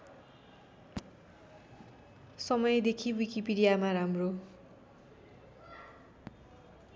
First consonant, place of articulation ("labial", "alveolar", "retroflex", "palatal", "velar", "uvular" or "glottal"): alveolar